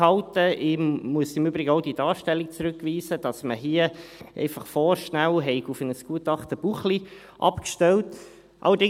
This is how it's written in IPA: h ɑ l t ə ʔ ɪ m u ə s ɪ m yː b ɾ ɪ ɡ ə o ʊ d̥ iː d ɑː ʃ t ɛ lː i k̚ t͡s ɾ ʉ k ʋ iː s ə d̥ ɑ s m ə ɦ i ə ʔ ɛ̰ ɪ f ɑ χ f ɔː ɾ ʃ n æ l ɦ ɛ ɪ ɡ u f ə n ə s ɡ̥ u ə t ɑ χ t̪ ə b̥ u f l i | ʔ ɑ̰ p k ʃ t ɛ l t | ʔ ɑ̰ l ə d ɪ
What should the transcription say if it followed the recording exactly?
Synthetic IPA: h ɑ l t ə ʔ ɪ m u ə s ɪ m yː b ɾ ɪ ɡ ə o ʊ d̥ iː d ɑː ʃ t ɛ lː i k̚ t͡s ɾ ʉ k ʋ iː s ə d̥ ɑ s m ə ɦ i ə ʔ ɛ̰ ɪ f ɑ χ f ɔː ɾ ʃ n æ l ɦ ɛ ɪ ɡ u f ə n ə s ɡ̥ u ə t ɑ χ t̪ ə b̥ u χ l i | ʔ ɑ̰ p k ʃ t ɛ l t | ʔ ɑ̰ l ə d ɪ